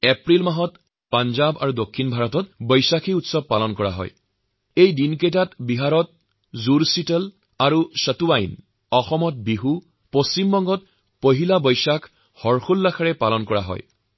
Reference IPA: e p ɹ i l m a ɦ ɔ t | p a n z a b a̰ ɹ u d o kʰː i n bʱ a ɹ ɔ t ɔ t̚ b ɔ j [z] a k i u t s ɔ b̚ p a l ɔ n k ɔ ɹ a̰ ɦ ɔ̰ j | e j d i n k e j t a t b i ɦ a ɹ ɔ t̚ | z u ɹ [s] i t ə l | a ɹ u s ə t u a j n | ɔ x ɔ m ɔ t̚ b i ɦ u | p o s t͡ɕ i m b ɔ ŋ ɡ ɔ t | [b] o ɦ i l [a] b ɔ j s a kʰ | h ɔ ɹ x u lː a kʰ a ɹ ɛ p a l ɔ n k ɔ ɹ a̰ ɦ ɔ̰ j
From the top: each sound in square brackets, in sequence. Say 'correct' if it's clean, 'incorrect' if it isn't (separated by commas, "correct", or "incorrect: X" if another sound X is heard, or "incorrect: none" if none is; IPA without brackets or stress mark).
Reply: incorrect: s, correct, incorrect: p, correct